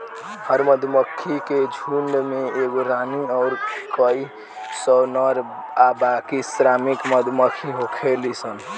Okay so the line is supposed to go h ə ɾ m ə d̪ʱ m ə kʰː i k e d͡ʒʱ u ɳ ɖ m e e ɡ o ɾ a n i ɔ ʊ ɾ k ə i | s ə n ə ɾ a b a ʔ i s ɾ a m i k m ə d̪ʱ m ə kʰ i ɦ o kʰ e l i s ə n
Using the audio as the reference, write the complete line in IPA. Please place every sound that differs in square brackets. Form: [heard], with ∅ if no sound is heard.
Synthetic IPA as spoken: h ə ɾ m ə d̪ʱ m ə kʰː i k e d͡ʒʱ u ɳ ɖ m e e ɡ o ɾ a n i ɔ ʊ ɾ k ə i | s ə n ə ɾ a b a [k] i s ɾ a m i k m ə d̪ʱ m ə kʰ i ɦ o kʰ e l i s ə n